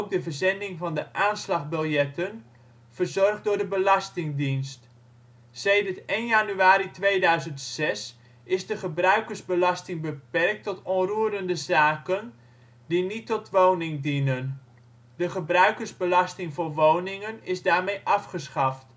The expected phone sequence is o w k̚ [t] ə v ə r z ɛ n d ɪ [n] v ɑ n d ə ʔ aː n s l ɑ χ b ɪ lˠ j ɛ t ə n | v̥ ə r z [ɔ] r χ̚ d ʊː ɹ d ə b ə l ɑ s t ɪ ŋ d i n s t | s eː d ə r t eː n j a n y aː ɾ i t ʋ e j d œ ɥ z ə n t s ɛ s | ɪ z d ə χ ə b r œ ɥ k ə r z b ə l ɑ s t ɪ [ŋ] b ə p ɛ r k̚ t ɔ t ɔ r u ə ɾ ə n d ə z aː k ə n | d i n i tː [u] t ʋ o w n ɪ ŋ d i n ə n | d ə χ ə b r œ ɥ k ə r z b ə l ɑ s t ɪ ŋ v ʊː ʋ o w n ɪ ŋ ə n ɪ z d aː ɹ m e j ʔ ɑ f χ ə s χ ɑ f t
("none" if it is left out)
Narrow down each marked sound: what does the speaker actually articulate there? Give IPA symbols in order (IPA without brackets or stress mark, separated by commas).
d, ŋ, ɔ, ŋ, ɔ